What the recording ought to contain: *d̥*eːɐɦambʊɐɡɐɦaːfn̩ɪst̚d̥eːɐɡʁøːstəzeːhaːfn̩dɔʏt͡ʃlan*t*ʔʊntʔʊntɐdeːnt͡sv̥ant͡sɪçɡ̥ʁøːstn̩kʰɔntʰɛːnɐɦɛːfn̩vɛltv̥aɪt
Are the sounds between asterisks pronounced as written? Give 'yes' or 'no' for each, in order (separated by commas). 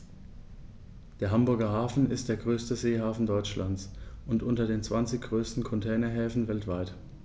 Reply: yes, no